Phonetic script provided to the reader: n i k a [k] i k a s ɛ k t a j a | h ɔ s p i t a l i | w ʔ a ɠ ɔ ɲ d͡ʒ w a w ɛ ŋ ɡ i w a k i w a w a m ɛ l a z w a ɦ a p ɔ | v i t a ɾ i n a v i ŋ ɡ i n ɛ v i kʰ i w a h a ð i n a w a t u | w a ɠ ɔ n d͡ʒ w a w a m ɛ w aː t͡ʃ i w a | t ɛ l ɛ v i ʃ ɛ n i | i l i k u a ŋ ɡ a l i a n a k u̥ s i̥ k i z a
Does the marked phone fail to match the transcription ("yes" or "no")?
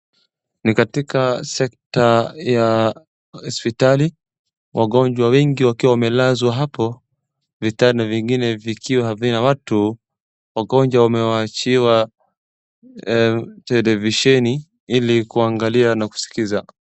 yes